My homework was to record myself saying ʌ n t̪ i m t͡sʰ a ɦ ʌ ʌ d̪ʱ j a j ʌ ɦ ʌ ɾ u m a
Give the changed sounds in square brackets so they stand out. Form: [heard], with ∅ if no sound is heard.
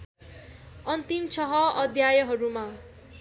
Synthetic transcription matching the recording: ʌ n t̪ i m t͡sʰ [ʌ] ɦ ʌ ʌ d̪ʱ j a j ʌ ɦ ʌ ɾ u m a